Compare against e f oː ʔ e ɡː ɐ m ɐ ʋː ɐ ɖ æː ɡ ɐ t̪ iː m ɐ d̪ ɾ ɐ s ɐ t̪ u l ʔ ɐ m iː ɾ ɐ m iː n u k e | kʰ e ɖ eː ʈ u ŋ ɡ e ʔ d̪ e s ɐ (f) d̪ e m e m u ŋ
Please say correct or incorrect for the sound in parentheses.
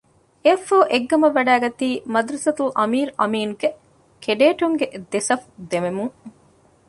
correct